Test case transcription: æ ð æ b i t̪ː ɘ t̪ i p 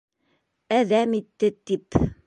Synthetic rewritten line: æ ð æ m i t̪ː ɘ t̪ i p

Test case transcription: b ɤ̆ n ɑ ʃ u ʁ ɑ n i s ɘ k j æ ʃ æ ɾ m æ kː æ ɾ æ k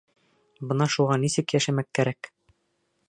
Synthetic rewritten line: b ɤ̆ n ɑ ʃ u ʁ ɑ n i s ɘ k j æ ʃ æ m æ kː æ ɾ æ k

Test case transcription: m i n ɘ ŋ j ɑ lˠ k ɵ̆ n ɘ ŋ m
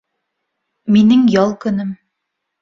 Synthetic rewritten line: m i n ɘ ŋ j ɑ lˠ k ɵ̆ n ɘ m

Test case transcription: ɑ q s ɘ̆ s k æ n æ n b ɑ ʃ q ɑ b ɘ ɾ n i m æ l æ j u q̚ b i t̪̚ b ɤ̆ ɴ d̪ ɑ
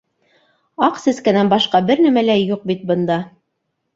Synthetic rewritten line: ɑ q s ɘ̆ s k æ n æ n b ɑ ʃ q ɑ b ɘ ɾ n æ m æ l æ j u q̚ b i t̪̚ b ɤ̆ n d̪ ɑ

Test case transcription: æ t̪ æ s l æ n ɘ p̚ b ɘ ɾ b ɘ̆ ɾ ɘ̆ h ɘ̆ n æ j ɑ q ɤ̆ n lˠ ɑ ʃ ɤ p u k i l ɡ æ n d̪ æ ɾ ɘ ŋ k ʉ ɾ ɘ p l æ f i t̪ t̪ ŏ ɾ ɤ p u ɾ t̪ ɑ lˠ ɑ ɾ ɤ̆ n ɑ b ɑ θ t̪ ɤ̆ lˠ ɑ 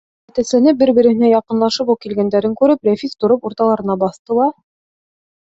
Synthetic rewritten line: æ t̪ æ s l æ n ɘ p̚ b ɘ ɾ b ɘ̆ ɾ ɘ̆ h ɘ̆ n æ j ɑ q ɤ̆ n lˠ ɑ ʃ ɤ p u k i l ɡ æ n d̪ æ ɾ ɘ ŋ k ʉ ɾ ɘ p l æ f i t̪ t̪ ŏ ɾ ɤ p u ɾ t̪ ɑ lˠ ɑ ɾ ɤ̆ n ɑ b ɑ θ t̪ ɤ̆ lˠ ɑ

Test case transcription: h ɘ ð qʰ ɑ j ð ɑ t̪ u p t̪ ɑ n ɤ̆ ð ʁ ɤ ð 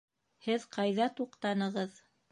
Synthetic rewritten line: h ɘ ð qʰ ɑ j ð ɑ t̪ u q t̪ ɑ n ɤ̆ ʁ ɤ ð

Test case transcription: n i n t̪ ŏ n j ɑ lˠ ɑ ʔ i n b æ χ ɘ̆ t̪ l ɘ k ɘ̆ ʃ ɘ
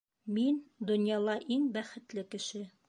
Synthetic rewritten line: m i n d̪ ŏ n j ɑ lˠ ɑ ʔ i ŋ b æ χ ɘ̆ t̪ l ɘ k ɘ̆ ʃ ɘ

